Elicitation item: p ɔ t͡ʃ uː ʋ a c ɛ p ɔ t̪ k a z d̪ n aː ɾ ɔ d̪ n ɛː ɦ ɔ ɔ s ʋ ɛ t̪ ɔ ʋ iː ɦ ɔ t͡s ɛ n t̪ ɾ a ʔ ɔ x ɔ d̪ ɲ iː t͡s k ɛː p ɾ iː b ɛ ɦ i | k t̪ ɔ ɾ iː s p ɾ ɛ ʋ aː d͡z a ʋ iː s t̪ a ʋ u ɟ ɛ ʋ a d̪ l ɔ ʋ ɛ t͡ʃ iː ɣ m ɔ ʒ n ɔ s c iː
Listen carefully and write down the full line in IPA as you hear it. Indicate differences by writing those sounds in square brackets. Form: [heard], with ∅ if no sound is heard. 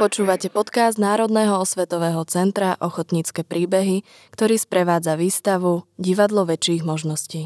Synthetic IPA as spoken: p ɔ t͡ʃ uː ʋ a c ɛ p ɔ t̪ k a z d̪ n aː ɾ ɔ d̪ n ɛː ɦ ɔ ɔ s ʋ ɛ t̪ ɔ ʋ [ɛː] ɦ ɔ t͡s ɛ n t̪ ɾ a ʔ ɔ x ɔ [t̪] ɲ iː t͡s k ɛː p ɾ iː b ɛ ɦ i | k t̪ ɔ ɾ iː s p ɾ ɛ ʋ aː d͡z a ʋ iː s t̪ a ʋ u ɟ [i] ʋ a d̪ l ɔ ʋ ɛ t͡ʃ iː ɣ m ɔ ʒ n ɔ s c iː